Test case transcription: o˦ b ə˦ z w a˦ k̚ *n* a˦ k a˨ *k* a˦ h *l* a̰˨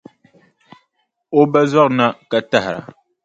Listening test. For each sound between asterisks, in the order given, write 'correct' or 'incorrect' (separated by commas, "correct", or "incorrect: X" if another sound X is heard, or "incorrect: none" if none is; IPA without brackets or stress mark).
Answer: correct, incorrect: t, incorrect: ɾ